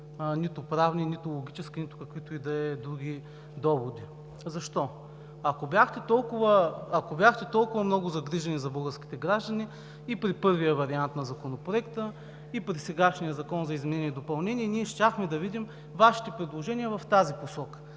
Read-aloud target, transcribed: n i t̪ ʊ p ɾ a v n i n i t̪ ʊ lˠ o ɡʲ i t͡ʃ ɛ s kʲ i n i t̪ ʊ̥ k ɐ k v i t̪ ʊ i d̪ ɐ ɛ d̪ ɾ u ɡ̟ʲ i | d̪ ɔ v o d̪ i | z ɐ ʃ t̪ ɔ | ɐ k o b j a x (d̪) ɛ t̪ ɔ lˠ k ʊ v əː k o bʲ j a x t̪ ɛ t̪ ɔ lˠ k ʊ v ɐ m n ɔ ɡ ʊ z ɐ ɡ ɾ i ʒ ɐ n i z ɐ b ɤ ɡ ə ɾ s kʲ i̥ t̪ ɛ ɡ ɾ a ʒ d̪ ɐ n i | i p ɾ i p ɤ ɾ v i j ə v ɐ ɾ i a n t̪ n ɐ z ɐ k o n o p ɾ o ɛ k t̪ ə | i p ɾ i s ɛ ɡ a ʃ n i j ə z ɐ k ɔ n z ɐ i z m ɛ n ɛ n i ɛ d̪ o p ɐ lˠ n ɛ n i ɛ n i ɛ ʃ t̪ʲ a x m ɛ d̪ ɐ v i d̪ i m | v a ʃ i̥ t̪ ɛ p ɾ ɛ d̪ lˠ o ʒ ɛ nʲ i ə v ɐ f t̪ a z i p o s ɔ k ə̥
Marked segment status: incorrect: t̪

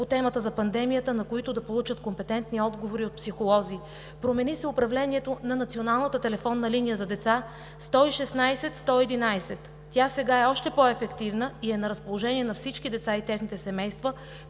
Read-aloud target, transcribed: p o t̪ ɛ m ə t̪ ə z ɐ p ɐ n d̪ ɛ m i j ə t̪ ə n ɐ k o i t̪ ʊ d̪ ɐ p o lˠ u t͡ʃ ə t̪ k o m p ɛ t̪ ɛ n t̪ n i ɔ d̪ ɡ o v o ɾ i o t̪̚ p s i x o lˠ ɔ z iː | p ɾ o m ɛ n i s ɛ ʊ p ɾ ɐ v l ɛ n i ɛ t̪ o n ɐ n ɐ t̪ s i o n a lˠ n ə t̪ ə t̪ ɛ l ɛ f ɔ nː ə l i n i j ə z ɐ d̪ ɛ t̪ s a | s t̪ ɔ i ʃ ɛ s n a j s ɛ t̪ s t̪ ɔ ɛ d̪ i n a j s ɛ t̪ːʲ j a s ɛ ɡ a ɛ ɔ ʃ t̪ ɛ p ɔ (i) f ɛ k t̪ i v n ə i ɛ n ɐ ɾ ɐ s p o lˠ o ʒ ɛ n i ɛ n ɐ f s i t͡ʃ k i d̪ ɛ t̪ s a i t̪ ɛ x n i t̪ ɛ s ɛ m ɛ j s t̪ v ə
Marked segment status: incorrect: ɛ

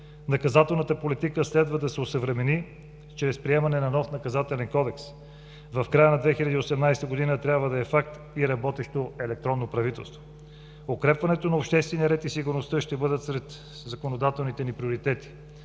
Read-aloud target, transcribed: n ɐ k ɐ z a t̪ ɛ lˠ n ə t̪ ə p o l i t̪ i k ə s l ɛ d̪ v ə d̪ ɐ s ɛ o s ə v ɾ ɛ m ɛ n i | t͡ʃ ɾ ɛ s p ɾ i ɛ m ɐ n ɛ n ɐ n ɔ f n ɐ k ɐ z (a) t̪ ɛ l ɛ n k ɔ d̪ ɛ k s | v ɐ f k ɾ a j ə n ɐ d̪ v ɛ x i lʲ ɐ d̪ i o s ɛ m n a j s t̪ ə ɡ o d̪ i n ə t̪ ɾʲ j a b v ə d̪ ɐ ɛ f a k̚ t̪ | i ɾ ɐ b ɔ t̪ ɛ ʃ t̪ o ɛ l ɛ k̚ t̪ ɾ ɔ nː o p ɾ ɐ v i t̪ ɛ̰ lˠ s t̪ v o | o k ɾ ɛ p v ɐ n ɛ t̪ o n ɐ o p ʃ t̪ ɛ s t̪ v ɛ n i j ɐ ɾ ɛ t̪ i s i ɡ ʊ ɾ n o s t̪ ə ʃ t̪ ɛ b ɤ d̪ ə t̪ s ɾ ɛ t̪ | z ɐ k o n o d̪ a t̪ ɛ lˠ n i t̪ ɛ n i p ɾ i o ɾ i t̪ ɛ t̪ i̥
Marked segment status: correct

